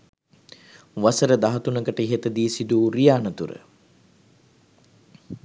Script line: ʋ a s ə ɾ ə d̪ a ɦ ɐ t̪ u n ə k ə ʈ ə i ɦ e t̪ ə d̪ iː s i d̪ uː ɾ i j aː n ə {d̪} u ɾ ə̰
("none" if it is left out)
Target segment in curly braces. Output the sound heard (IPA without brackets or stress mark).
t̪